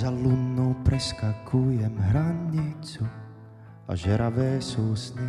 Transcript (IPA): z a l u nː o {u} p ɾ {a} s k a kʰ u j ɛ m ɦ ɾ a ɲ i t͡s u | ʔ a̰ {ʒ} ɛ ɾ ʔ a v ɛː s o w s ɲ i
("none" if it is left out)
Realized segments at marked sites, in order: w, ɛ, ʒ

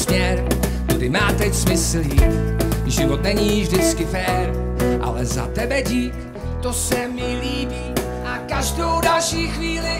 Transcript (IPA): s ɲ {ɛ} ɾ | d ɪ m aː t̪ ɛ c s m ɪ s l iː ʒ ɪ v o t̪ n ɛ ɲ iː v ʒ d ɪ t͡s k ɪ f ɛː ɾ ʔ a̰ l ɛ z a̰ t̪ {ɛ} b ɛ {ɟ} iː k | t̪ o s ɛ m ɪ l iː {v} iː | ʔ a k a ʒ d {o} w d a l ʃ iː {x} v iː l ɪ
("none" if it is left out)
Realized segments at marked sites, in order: ɛ, ɛ, ɟ, b, o, x

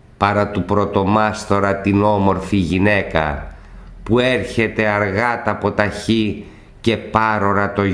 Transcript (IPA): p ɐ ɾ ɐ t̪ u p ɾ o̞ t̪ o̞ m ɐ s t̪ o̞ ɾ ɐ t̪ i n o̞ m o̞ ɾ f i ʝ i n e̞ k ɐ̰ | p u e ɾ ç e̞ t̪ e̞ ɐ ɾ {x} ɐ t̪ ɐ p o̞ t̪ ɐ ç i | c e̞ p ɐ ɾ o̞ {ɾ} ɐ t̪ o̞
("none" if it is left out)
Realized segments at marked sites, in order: ɣ, ɾ

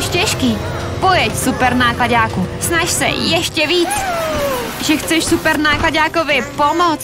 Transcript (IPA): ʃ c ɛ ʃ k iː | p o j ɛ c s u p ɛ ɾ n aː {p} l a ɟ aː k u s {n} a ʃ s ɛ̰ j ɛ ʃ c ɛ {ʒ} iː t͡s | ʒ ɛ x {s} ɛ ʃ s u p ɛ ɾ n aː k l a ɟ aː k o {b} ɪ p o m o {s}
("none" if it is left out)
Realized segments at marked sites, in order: k, n, v, t͡s, v, t͡s

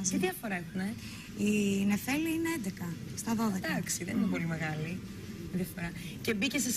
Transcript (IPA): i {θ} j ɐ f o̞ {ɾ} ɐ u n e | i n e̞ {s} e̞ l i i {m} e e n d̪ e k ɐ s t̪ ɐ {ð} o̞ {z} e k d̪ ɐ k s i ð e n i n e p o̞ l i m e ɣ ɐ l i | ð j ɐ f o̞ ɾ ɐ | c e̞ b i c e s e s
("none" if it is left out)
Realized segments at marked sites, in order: ð, ɾ, f, n, ð, ð

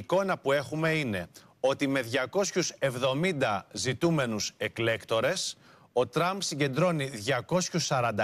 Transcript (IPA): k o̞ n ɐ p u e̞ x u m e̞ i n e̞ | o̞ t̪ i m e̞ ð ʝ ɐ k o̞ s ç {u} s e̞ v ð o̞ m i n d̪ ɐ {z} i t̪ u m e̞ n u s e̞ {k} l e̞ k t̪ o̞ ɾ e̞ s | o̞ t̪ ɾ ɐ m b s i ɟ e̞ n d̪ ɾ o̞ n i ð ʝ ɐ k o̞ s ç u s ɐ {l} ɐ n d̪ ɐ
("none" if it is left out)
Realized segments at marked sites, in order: u, z, k, ɾ

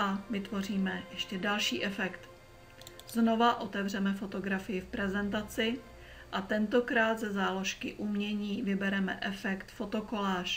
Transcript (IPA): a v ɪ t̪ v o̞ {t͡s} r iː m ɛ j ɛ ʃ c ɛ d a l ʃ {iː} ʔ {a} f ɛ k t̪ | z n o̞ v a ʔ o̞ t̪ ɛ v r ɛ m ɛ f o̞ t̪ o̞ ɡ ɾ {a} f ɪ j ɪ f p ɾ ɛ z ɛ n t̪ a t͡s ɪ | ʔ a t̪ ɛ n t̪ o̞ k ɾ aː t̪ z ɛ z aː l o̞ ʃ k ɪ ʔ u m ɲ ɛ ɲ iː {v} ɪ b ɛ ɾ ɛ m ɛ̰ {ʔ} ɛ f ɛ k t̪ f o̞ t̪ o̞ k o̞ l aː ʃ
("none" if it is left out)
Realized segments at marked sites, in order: none, iː, ɛ, a, v, ʔ

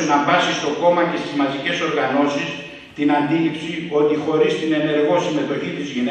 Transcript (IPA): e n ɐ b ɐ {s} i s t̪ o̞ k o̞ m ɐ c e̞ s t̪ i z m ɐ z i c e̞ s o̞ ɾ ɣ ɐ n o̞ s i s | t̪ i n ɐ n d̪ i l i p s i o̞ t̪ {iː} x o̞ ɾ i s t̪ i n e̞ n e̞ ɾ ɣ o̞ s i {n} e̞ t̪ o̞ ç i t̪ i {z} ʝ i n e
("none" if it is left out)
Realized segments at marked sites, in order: s, i, m, z

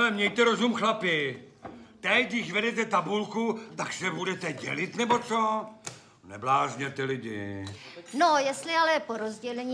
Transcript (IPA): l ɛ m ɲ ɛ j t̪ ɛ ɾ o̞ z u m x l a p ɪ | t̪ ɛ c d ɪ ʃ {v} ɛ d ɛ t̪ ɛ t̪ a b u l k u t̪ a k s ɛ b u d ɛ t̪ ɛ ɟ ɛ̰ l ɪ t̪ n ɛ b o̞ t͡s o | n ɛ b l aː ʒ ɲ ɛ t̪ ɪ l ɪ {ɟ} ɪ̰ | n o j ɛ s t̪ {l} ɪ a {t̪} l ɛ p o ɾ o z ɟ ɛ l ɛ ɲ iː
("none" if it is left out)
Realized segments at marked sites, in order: v, ɟ, l, none

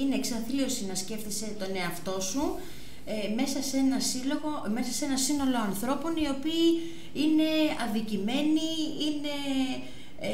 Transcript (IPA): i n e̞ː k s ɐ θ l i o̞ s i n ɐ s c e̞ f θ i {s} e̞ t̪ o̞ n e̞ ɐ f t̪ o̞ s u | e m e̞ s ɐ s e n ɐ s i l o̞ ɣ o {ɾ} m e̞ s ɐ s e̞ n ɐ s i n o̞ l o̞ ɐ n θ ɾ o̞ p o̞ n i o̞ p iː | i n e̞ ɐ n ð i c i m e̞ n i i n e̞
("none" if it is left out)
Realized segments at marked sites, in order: s, none

